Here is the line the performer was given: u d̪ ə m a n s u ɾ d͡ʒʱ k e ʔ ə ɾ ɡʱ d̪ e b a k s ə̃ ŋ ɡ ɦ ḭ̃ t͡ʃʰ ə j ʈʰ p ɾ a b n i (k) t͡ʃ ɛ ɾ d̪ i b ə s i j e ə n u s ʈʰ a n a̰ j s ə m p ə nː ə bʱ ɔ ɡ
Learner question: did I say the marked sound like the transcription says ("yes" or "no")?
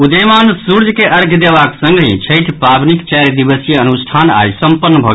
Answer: yes